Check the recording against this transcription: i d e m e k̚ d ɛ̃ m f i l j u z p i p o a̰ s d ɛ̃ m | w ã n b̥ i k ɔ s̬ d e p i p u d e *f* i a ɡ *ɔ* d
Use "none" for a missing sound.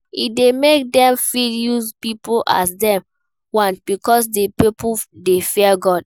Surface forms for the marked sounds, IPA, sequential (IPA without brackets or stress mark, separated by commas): f, ɔ